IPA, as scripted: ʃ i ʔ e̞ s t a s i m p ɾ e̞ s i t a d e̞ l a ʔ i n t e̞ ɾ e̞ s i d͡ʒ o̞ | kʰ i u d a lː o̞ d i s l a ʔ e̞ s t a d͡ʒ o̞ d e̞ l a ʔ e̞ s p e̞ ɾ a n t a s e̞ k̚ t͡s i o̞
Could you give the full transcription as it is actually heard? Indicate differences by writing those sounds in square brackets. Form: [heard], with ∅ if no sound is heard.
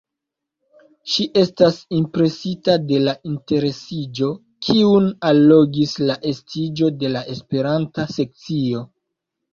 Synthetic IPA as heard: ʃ i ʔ e̞ s t a s i m p ɾ e̞ s i t a d e̞ l a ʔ i n t e̞ ɾ e̞ s i d͡ʒ o̞ | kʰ i u [n] a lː o̞ [ɡ] i s l a ʔ e̞ s t [i] d͡ʒ o̞ d e̞ l a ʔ e̞ s p e̞ ɾ a n t a s e̞ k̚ t͡s i o̞